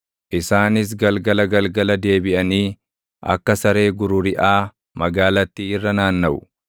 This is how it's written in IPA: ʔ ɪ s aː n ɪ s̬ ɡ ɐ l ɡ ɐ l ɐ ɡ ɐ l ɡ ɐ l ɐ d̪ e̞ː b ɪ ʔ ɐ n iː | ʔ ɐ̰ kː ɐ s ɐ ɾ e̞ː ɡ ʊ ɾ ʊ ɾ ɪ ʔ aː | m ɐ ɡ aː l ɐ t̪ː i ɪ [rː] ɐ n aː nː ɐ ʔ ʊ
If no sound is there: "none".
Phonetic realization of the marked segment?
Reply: rː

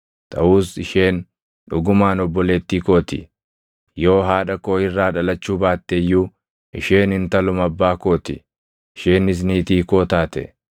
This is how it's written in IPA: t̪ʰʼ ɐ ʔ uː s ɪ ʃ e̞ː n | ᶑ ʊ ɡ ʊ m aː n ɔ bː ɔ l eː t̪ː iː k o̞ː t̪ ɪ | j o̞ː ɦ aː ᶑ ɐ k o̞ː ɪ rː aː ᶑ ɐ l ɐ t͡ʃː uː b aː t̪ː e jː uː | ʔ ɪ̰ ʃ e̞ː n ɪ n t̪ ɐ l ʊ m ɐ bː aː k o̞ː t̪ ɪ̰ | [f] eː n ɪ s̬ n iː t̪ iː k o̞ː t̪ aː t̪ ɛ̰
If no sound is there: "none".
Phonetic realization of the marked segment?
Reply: ʃ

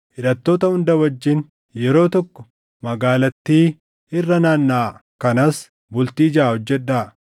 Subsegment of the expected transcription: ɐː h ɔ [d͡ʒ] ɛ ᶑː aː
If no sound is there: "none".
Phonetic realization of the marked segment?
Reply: d͡ʒː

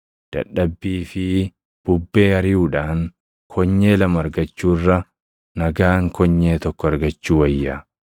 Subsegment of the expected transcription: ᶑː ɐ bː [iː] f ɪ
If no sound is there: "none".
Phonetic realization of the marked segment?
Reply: iː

